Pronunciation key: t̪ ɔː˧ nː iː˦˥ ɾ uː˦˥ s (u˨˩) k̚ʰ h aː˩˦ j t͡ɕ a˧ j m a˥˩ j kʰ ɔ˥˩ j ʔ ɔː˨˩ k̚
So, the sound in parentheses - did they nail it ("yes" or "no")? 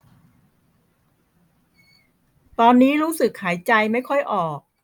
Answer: no